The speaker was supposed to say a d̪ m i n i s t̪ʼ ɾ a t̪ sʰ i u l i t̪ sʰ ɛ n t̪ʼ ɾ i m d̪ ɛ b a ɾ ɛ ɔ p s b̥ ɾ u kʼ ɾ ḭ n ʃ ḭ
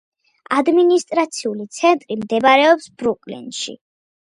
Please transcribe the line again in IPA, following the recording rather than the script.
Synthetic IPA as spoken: a d̪ m i n i s t̪ʼ ɾ a t̪ sʰ i u l i t̪ sʰ ɛ n t̪ʼ ɾ i m d̪ ɛ b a ɾ ɛ ɔ p s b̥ ɾ u kʼ l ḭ n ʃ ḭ